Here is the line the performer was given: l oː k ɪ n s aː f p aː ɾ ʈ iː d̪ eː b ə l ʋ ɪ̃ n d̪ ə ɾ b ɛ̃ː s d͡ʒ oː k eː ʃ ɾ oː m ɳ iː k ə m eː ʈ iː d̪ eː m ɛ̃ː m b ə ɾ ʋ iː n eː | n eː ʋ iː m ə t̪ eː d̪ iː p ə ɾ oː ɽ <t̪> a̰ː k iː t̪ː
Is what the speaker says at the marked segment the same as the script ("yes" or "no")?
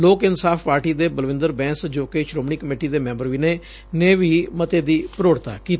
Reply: yes